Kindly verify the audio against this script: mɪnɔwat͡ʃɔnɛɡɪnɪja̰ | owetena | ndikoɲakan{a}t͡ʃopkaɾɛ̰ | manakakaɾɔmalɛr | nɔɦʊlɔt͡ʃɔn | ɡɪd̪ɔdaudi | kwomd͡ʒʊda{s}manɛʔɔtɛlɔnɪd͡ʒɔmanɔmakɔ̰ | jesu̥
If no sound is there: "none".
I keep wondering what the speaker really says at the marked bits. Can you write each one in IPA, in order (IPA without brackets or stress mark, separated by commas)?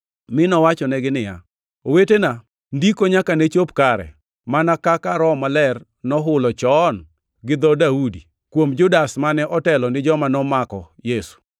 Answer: e, s